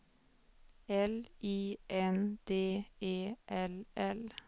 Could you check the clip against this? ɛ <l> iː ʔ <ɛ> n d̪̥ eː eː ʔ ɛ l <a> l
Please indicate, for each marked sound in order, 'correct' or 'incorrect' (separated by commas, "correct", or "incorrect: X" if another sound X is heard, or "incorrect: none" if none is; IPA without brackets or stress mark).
correct, correct, incorrect: ɛ